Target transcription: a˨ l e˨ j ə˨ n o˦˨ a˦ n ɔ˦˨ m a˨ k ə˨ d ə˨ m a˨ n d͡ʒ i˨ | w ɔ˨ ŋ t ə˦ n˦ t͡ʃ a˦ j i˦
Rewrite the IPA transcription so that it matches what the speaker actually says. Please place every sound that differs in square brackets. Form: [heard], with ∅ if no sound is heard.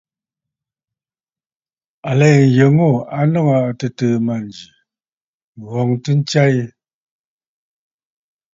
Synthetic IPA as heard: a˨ l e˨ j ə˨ [ŋ] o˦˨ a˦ n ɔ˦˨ [ŋ] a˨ [t] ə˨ [t] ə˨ m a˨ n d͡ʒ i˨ | [ɣ] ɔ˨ ŋ t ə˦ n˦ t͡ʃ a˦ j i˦